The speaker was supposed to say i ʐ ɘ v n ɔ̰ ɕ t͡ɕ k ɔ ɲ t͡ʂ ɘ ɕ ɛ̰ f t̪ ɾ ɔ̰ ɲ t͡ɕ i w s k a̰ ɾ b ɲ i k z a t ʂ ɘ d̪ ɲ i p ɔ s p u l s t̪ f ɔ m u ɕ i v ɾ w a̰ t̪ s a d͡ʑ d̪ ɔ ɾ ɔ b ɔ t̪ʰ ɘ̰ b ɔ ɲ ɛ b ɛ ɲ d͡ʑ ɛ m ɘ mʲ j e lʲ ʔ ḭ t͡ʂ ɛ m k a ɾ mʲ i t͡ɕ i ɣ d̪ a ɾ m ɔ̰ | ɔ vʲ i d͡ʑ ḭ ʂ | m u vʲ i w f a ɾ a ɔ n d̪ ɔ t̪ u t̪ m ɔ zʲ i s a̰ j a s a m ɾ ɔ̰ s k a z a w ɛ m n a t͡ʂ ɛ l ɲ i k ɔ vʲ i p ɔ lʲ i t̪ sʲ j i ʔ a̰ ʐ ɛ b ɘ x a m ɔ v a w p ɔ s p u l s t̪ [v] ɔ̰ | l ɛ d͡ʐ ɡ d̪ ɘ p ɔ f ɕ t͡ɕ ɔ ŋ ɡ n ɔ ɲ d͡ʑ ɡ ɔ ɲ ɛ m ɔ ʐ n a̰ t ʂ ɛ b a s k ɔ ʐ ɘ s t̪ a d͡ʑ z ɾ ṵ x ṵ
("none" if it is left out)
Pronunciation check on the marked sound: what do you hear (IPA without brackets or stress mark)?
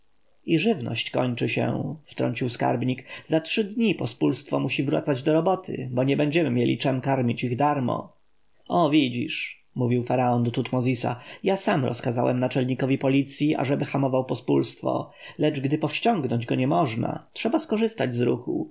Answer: f